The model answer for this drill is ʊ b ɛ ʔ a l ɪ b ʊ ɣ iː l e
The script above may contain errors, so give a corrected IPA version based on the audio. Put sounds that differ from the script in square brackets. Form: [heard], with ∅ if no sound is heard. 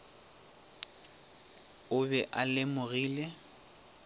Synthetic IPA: ʊ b ɛ ʔ a l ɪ [m] ʊ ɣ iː l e